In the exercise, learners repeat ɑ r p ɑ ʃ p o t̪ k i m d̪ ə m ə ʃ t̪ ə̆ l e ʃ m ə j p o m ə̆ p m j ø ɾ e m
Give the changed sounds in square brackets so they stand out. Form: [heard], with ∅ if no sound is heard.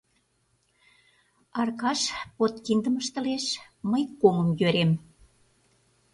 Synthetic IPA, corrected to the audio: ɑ r [k] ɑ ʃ p o t̪ k i [n] d̪ ə m ə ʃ t̪ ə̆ l e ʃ m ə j [k] o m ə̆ [∅] m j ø ɾ e m

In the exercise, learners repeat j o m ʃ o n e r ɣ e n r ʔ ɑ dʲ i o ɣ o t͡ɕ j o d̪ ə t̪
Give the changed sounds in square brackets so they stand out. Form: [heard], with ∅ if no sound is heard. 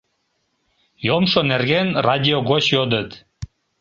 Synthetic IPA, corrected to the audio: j o m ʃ o n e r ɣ e n r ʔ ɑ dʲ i o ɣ o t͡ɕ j o d̪ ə t̪

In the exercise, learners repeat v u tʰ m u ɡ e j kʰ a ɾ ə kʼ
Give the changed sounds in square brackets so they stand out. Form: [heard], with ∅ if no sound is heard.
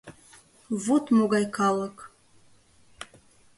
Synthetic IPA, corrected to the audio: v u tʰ m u ɡ [a] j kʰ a [l] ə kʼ

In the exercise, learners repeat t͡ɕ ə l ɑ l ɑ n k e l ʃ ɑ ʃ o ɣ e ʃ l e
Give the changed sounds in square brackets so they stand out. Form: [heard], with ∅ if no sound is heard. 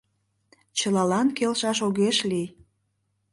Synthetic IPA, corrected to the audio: t͡ɕ ə l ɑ l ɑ n k e l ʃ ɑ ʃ o ɣ e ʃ l [i]

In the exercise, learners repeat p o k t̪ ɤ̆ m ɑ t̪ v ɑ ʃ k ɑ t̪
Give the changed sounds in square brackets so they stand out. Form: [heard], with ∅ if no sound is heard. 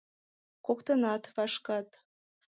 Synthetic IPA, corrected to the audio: [k] o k t̪ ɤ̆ [n] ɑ t̪ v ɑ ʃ k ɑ t̪

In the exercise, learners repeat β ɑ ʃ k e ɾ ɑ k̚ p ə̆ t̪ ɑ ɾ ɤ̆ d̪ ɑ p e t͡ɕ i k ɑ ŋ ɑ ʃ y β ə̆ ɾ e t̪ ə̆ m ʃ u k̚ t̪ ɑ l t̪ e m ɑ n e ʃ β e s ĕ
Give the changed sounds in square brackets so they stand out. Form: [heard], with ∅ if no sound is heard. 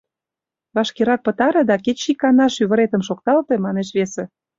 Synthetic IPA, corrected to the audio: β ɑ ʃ k e ɾ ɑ k̚ p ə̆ t̪ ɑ ɾ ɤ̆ d̪ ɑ [k] e t͡ɕ i k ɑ [n] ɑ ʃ y β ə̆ ɾ e t̪ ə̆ m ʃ [o] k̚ t̪ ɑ l t̪ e m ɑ n e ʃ β e s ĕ

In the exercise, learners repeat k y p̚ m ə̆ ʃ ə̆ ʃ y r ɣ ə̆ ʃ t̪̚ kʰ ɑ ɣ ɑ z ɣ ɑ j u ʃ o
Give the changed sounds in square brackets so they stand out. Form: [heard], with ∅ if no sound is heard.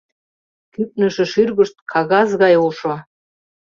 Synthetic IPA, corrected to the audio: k y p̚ [n] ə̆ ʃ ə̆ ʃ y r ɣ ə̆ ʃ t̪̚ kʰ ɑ ɣ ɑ z ɣ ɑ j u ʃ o

